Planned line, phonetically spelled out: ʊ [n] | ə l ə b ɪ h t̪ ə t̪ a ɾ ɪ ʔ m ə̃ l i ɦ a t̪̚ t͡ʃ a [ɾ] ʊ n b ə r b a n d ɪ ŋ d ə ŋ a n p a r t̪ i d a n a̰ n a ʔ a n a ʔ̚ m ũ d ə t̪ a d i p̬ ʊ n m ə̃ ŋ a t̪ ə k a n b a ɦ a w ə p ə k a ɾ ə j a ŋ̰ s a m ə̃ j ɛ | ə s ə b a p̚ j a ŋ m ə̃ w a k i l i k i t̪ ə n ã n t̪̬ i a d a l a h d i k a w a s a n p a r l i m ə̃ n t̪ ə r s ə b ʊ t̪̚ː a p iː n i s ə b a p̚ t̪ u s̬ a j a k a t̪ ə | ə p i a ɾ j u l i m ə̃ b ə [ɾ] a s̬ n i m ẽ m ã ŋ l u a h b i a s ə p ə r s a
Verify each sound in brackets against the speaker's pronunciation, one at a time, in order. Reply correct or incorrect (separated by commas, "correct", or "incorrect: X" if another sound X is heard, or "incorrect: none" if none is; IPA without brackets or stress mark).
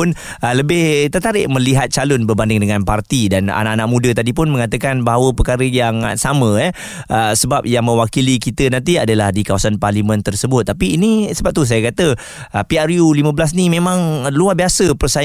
correct, incorrect: l, incorrect: l